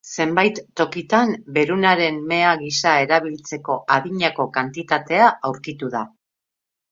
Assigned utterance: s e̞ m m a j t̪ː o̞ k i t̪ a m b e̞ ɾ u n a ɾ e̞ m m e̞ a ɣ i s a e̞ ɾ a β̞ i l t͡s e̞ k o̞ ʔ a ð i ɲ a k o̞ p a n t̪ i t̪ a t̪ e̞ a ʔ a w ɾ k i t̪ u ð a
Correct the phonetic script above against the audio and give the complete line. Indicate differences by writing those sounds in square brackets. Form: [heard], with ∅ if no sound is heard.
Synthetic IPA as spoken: s e̞ m [b] a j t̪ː o̞ k i t̪ a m b e̞ ɾ u n a ɾ e̞ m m e̞ a ɣ i s a e̞ ɾ a β̞ i l t͡s e̞ k o̞ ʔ a ð i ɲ a k o̞ [k] a n t̪ i t̪ a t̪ e̞ a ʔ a w ɾ k i t̪ u ð a